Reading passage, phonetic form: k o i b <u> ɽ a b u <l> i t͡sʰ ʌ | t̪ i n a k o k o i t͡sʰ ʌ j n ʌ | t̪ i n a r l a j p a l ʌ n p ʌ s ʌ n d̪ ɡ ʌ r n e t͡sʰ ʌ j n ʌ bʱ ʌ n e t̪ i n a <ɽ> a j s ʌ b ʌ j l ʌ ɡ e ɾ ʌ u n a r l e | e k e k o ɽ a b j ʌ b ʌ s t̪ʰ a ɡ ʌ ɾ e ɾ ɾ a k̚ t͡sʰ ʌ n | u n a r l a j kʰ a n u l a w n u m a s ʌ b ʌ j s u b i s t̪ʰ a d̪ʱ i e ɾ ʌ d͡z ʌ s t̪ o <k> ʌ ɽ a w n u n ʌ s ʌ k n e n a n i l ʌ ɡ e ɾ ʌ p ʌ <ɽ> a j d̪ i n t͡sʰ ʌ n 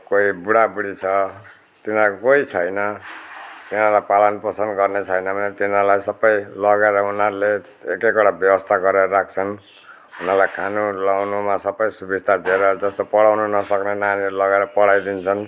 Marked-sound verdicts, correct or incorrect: correct, incorrect: ɽ, incorrect: l, incorrect: p, correct

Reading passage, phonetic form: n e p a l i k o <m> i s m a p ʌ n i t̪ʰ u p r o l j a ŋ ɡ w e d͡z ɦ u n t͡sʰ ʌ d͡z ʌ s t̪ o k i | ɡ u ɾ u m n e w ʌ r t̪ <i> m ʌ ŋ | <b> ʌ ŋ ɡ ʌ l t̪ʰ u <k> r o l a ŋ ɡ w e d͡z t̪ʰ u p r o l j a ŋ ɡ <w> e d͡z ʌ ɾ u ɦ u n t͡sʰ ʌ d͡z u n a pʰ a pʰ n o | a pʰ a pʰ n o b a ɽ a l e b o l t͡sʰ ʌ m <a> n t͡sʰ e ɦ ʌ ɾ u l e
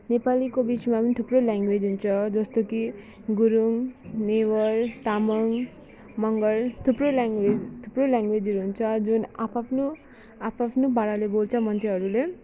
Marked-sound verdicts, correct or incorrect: incorrect: b, incorrect: a, incorrect: m, incorrect: p, correct, incorrect: ʌ

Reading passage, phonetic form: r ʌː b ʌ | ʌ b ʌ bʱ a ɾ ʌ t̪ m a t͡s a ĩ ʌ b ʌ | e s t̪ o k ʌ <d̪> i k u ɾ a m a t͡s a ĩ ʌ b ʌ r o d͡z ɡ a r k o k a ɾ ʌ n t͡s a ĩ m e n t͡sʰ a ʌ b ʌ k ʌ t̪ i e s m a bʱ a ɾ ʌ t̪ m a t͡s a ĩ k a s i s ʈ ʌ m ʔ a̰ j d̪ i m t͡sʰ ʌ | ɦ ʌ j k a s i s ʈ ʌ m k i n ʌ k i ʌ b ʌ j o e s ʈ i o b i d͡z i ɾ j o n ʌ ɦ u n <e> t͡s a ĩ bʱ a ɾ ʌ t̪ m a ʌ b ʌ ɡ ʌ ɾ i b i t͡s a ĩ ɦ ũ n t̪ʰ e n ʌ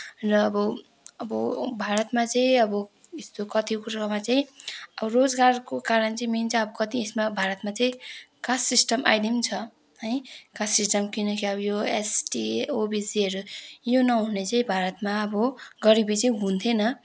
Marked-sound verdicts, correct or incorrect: incorrect: t̪, correct

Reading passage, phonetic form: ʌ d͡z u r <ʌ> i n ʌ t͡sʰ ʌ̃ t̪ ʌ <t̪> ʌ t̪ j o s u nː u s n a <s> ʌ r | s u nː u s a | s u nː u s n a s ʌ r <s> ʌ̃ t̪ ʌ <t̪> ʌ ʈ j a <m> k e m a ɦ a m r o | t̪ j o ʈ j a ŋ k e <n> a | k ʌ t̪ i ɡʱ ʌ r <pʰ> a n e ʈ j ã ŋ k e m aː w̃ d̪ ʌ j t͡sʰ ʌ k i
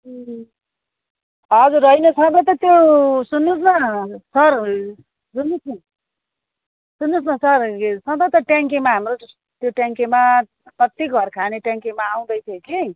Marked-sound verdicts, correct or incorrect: correct, correct, correct, correct, correct, incorrect: ŋ, incorrect: m, incorrect: kʰ

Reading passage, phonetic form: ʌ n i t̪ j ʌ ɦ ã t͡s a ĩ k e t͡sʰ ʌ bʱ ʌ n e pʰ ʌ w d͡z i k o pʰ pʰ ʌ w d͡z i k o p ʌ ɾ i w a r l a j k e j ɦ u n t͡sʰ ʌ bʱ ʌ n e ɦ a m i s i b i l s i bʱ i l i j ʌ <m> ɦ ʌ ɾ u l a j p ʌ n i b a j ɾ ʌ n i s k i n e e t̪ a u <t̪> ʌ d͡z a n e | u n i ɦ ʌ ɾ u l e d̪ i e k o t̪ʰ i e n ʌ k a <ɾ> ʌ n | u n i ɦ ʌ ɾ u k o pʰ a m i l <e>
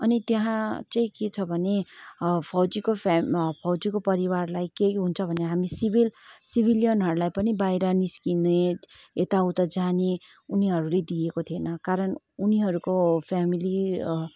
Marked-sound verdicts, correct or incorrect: incorrect: n, correct, correct, incorrect: i

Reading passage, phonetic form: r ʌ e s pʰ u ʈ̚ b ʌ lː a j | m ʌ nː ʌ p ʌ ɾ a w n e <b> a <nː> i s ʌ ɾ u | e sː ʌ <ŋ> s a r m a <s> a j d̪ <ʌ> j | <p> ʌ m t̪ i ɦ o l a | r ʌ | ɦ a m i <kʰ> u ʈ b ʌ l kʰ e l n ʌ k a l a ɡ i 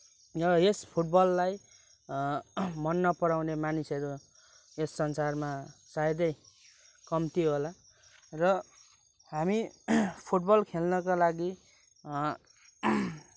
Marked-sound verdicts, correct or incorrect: incorrect: m, incorrect: n, incorrect: n, correct, correct, incorrect: k, incorrect: pʰ

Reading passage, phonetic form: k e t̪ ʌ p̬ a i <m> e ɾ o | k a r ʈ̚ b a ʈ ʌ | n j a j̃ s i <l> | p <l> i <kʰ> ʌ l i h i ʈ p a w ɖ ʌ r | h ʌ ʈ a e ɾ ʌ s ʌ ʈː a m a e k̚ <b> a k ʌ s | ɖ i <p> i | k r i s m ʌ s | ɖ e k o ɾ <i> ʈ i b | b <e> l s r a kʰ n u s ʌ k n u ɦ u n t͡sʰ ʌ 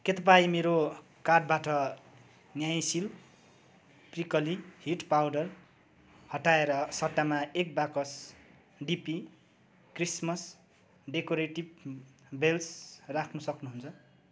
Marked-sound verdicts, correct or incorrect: correct, correct, incorrect: r, incorrect: k, correct, correct, incorrect: e, correct

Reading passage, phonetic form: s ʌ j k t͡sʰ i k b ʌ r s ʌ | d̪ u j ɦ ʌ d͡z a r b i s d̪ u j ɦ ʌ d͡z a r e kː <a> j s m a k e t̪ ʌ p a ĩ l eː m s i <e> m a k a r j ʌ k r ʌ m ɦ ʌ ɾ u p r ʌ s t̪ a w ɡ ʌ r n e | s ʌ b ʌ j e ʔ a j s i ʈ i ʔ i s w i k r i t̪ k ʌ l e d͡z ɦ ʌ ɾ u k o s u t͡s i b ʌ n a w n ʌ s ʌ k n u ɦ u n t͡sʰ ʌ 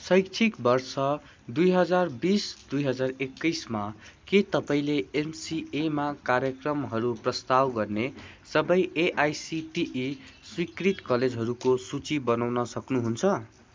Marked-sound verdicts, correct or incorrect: incorrect: ʌ, correct

